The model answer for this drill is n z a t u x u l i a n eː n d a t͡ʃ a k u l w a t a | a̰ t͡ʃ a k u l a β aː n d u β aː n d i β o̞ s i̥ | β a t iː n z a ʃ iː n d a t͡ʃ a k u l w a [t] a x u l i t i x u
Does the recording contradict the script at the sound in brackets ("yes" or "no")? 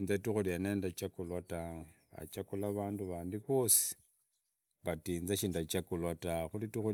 no